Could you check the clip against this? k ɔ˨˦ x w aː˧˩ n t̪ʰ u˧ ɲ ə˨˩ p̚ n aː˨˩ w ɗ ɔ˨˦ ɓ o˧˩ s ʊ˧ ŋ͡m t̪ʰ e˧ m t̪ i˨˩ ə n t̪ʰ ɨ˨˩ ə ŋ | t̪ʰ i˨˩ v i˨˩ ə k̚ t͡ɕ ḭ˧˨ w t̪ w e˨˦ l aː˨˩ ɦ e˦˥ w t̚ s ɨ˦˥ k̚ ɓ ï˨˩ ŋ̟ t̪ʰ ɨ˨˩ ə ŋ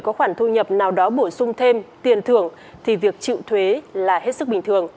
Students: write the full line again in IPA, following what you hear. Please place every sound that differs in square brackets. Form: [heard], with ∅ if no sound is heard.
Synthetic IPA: k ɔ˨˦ x w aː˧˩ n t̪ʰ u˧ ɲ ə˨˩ p̚ n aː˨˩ w ɗ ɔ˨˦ ɓ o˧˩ s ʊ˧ ŋ͡m t̪ʰ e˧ m t̪ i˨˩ ə n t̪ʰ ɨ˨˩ ə ŋ | t̪ʰ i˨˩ v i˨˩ ə k̚ t͡ɕ ḭ˧˨ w [t̪ʰ] w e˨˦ l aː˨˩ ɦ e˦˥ [∅] t̚ s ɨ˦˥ k̚ ɓ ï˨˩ ŋ̟ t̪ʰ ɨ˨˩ ə ŋ